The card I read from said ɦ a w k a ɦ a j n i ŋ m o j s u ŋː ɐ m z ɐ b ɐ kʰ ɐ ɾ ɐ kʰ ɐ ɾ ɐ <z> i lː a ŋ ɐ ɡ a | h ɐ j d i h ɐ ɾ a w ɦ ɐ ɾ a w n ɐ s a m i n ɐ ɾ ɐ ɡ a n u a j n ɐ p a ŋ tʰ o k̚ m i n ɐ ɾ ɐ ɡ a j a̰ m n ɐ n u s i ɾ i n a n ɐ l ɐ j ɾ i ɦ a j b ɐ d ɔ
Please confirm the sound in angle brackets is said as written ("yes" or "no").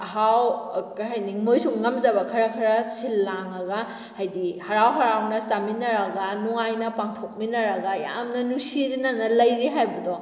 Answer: no